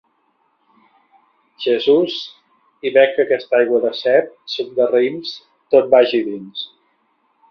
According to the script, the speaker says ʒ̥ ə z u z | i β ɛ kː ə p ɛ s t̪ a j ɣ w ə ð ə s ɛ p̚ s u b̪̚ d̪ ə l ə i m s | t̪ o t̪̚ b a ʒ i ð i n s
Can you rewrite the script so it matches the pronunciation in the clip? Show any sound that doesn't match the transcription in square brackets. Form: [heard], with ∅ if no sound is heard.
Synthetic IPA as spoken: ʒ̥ ə z u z | i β ɛ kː ə [k] ɛ s t̪ a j ɣ w ə ð ə s ɛ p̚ s u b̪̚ d̪ ə [r] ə i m s | t̪ o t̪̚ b a ʒ i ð i n s